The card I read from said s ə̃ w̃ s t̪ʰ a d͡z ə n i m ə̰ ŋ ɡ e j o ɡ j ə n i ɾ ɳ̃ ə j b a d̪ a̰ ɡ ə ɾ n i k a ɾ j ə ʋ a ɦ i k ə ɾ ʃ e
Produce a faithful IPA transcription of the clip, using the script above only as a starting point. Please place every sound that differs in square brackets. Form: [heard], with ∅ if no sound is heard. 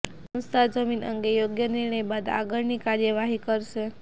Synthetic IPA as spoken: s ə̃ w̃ s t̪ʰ a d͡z ə [m] i [n] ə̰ ŋ ɡ e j o ɡ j ə n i ɾ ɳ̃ ə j b a d̪ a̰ ɡ ə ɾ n i k a ɾ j ə ʋ a ɦ i k ə ɾ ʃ e